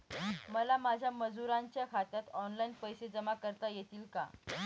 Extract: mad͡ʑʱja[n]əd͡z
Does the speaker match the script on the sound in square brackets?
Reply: no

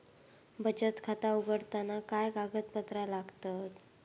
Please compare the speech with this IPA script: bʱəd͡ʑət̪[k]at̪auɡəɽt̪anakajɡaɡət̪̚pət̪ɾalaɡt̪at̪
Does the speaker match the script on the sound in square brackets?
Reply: no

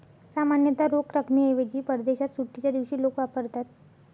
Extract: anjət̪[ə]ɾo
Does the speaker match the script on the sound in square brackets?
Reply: no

